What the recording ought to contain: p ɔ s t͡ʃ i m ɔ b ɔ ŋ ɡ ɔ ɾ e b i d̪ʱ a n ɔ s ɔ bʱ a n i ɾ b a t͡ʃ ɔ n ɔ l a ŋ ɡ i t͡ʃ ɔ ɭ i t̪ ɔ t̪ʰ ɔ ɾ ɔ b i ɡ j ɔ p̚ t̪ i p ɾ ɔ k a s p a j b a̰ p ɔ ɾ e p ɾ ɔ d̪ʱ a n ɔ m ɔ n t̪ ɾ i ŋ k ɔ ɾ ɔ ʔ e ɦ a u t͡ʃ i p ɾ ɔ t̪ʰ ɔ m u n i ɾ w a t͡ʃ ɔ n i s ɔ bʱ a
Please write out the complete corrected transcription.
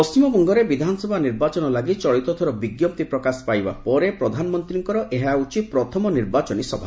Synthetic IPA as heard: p ɔ s t͡ʃ i m ɔ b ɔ ŋ ɡ ɔ ɾ e b i d̪ʱ a n ɔ s ɔ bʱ a n i ɾ b a t͡ʃ ɔ n ɔ l a ɡ i t͡ʃ ɔ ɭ i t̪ ɔ t̪ʰ ɔ ɾ ɔ b i ɡ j ɔ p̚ t̪ i p ɾ ɔ k a s p a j b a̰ p ɔ ɾ e p ɾ ɔ d̪ʱ a n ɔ m ɔ n t̪ ɾ i ŋ k ɔ ɾ ɔ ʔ e ɦ a u t͡ʃ i p ɾ ɔ t̪ʰ ɔ m ɔ n i ɾ b a t͡ʃ ɔ n i s ɔ bʱ a